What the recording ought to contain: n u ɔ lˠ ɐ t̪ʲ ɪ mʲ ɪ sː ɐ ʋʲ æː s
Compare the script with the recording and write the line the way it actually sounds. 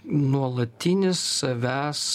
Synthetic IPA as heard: n u ɔ lˠ ɐ t̪ʲ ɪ nʲ ɪ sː ɐ ʋʲ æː s